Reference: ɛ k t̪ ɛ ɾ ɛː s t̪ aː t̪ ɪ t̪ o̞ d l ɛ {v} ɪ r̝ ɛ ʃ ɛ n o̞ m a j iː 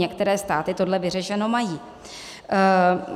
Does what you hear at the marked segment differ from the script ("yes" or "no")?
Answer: no